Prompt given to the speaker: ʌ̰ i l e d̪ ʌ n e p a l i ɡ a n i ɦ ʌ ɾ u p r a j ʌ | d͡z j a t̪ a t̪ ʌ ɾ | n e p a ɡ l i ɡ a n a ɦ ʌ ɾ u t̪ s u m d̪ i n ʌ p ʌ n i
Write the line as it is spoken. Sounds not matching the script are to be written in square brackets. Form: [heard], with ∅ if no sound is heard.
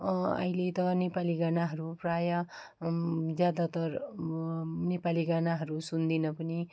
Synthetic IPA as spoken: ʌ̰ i l e [t̪] ʌ n e p a l i ɡ a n [a] ɦ ʌ ɾ u p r a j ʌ | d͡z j a [d̪] a t̪ ʌ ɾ | n e p a [∅] l i ɡ a n a ɦ ʌ ɾ u [∅] s u [n] d̪ i n ʌ p ʌ n i